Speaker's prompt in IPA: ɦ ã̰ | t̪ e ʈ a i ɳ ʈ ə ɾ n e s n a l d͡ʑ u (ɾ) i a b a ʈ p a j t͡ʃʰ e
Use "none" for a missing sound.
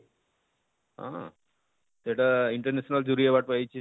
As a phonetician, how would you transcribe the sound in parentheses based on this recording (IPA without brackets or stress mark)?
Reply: ɾ